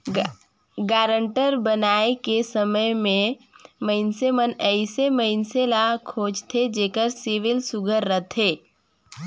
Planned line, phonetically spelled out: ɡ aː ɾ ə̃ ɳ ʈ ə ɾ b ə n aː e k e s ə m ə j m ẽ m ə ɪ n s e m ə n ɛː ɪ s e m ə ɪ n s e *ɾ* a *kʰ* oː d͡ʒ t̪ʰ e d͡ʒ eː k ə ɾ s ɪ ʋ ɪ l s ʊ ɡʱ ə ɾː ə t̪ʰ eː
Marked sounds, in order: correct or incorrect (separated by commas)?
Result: incorrect, correct